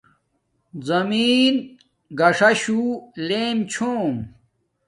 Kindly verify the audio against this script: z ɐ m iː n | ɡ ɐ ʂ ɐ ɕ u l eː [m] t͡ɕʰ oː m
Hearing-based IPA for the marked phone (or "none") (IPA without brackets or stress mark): m